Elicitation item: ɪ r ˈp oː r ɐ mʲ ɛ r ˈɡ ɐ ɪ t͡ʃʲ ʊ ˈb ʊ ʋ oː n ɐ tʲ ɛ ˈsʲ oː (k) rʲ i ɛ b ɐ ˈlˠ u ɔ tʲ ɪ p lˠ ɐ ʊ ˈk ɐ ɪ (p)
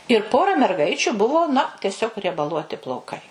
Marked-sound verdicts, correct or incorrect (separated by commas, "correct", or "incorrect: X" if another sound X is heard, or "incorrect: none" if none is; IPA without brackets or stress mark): correct, incorrect: none